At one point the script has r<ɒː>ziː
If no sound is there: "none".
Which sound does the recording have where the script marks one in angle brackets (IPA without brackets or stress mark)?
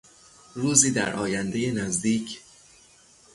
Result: uː